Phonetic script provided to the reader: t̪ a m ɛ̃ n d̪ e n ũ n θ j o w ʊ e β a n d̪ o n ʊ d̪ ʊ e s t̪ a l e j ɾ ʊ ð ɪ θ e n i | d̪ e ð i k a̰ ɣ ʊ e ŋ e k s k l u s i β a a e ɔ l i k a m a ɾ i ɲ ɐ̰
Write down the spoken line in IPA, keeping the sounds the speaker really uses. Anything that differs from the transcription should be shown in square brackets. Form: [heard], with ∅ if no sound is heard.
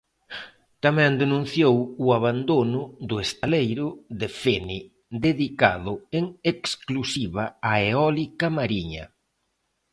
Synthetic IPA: t̪ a m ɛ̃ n d̪ e n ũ n θ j o w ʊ [a] β a n d̪ o n ʊ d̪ ʊ e s t̪ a l e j ɾ ʊ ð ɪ [f] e n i | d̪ e ð i k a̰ [ð] ʊ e ŋ e k s k l u s i β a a e ɔ l i k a m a ɾ i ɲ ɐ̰

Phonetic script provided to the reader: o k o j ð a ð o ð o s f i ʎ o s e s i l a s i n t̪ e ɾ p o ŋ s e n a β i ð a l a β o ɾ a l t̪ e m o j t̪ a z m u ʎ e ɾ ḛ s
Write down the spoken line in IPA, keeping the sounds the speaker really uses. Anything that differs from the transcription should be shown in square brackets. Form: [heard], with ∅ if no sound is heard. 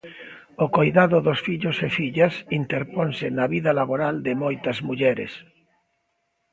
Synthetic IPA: o k o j ð a ð o ð o s f i ʎ o s e [f] i [ʎ] a s i n t̪ e ɾ p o [n] s e n a β i ð a l a β o ɾ a l [d̪] e m o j t̪ a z m u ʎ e ɾ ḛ s

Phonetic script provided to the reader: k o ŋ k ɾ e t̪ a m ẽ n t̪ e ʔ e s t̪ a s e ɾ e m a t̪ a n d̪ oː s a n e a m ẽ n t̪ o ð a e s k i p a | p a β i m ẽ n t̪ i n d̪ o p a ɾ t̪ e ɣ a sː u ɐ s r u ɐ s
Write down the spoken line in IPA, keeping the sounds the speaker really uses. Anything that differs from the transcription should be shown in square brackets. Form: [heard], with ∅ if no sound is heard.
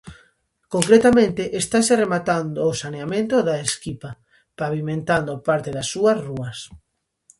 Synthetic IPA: k o ŋ k ɾ e t̪ a m ẽ n t̪ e ʔ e s t̪ a s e [r] e m a t̪ a n d̪ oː s a n e a m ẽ n t̪ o ð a e s k i p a | p a β i m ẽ n t̪ [a] n d̪ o p a ɾ t̪ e [ð] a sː u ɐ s r u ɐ s

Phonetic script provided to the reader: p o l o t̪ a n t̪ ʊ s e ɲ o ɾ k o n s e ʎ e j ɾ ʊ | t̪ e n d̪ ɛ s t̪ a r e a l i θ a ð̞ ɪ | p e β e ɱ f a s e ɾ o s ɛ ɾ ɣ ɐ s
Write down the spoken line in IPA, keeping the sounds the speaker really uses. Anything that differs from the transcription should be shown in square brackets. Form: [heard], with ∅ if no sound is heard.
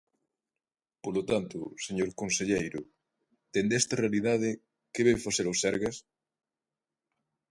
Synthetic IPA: p o l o t̪ a n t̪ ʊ s e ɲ o ɾ k o n s e ʎ e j ɾ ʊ | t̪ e n d̪ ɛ s t̪ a r e a l i [ð] a ð̞ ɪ | [k] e β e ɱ f a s e ɾ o s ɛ ɾ ɣ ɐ s

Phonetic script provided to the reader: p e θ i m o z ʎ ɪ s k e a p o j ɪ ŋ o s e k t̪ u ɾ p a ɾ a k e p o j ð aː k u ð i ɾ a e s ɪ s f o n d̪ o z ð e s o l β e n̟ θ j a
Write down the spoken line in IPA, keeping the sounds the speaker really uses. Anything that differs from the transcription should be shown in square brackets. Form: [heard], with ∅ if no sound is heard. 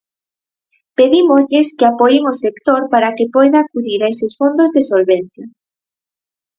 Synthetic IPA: p e [ð] i m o z ʎ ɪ s k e a p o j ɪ ŋ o s e k t̪ [o] ɾ p a ɾ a k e p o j ð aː k u ð i ɾ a e s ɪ s f o n d̪ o z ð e s o l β e n̟ θ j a

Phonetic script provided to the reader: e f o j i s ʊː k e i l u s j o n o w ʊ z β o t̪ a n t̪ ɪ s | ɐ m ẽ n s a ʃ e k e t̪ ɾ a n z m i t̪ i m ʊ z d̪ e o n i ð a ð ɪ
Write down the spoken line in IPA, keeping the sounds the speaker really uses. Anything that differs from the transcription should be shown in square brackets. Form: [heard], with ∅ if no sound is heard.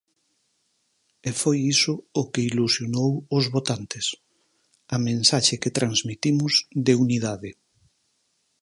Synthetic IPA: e f o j i s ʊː k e i l u s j o n o w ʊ z β o t̪ a n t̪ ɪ s | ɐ m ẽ n s a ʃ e k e t̪ ɾ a n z m i t̪ i m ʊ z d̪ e [u] n i ð a ð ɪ

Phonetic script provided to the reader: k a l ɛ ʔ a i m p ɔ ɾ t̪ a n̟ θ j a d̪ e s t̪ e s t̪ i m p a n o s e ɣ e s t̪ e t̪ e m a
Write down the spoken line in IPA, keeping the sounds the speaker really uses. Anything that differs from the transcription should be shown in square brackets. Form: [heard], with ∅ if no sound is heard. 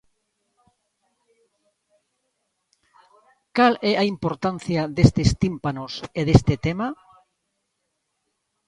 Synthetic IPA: k a l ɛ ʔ a i m p [o] ɾ t̪ a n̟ θ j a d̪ e s t̪ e s t̪ i m p a n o s e [ð] e s t̪ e t̪ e m a

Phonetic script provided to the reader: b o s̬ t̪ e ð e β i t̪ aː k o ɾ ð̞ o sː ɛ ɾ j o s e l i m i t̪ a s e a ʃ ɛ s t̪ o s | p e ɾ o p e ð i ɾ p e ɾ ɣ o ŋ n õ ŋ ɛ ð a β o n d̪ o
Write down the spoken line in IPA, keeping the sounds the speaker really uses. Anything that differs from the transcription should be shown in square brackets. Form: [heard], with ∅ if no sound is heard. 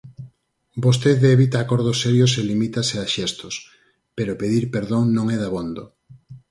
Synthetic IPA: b o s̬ t̪ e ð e β i t̪ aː k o ɾ ð̞ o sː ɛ ɾ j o s e l i m i t̪ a s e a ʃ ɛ s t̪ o s | p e ɾ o p e ð i ɾ p e ɾ [ð] o ŋ n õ ŋ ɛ ð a β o n d̪ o

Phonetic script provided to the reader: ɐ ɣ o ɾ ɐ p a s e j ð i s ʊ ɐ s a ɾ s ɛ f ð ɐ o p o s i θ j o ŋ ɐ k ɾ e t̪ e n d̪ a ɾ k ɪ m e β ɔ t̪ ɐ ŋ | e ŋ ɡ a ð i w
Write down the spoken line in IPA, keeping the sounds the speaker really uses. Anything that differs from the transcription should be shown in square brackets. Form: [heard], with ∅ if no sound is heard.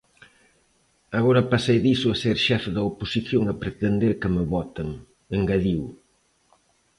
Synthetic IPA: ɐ ɣ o ɾ ɐ p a s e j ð i s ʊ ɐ s [e] ɾ [ʃ] ɛ f ð ɐ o p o s i θ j o ŋ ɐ [p] ɾ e t̪ e n d̪ [e] ɾ k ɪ m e β ɔ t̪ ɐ ŋ | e ŋ ɡ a ð i w

